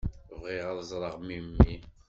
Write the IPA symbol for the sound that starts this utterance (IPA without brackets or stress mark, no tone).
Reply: v